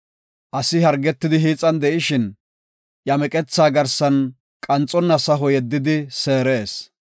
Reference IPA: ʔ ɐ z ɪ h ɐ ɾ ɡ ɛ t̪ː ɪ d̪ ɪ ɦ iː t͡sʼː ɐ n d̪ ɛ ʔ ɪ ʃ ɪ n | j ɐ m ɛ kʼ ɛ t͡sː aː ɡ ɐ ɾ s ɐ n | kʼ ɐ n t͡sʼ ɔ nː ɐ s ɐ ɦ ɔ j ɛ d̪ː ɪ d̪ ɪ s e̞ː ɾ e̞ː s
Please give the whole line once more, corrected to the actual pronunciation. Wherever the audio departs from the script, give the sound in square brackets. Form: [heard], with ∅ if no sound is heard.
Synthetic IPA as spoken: ʔ ɐ [s] ɪ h ɐ ɾ ɡ ɛ t̪ː ɪ d̪ ɪ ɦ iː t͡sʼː ɐ n d̪ ɛ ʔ ɪ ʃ ɪ n | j ɐ m ɛ kʼ ɛ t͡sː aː ɡ ɐ ɾ s ɐ n | kʼ ɐ n t͡sʼ ɔ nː ɐ s ɐ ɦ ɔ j ɛ d̪ː ɪ d̪ ɪ s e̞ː ɾ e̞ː s